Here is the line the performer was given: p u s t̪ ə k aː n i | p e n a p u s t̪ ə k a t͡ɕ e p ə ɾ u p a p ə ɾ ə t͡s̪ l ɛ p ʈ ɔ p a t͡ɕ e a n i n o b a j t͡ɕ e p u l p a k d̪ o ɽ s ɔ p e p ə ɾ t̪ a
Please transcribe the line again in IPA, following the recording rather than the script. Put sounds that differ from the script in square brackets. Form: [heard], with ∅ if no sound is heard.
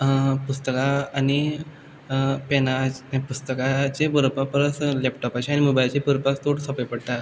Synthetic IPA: p u s t̪ ə k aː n i | p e n a p u s t̪ ə k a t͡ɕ e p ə ɾ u p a p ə ɾ ə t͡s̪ l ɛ p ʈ ɔ p a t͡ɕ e a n i [m] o b a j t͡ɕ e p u [ɾ] p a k [t̪] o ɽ s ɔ p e p ə [ɽ] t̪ a